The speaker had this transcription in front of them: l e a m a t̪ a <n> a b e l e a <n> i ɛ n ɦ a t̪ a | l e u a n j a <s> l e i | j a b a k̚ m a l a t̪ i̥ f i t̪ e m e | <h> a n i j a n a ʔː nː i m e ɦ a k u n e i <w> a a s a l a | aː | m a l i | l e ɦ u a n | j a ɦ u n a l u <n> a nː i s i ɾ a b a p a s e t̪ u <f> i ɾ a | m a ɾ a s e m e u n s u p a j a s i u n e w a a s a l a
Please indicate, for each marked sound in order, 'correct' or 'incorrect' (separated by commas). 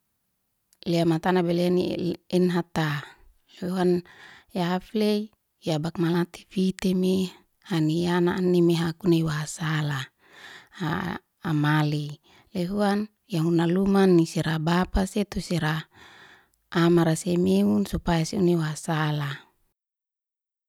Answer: correct, correct, incorrect, correct, correct, incorrect, incorrect